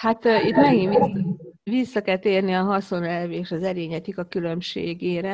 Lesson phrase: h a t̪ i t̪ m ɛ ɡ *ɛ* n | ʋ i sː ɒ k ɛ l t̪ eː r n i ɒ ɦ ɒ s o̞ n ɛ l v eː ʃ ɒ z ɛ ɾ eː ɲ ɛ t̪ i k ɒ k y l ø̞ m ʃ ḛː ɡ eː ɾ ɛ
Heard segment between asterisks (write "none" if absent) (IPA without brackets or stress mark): i